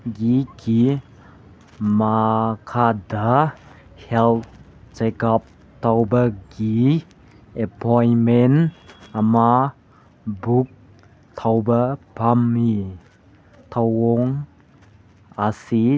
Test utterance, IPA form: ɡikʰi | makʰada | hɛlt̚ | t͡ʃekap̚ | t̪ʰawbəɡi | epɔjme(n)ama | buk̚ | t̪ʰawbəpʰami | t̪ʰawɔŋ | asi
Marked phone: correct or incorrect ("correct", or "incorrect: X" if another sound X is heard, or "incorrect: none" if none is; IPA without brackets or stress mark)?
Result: correct